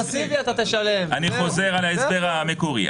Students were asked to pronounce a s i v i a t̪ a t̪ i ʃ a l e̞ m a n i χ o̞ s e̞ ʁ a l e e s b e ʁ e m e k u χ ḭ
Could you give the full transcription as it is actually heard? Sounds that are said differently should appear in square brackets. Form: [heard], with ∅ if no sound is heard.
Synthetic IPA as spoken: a s i v i a t̪ a t̪ [e] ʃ a l e̞ m a n i χ o̞ [z] e̞ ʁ a l [a] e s b e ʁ [a] m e k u [ʁ] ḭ